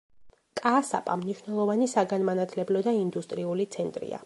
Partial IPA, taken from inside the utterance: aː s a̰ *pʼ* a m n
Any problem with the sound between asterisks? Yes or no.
no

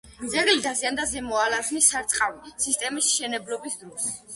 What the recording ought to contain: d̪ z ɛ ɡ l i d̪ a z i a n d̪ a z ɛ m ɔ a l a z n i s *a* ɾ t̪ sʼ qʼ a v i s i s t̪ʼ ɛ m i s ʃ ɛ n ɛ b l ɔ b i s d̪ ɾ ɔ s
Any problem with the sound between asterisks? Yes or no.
no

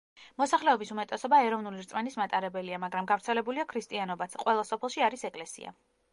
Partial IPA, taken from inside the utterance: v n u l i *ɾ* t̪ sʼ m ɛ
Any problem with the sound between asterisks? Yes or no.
no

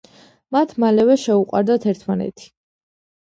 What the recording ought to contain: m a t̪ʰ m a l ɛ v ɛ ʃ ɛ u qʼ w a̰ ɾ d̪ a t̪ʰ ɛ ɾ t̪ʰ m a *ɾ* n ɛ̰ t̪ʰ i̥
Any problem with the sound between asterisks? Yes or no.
yes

